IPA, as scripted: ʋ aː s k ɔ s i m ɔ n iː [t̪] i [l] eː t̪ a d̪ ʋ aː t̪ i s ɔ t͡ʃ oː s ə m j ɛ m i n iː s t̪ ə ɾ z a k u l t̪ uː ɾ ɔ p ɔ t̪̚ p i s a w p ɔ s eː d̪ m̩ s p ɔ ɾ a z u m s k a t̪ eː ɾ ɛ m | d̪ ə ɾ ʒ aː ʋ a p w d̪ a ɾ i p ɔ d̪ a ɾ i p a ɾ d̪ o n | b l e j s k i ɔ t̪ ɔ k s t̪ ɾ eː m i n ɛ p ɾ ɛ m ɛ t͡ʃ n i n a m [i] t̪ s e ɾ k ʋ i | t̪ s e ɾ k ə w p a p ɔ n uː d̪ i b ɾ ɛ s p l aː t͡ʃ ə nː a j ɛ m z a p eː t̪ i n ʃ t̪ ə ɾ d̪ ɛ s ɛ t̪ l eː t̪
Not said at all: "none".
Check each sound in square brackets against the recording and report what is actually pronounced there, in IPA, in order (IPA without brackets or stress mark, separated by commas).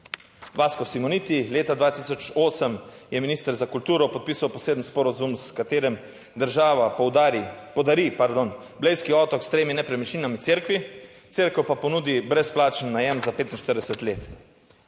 t̪, l, i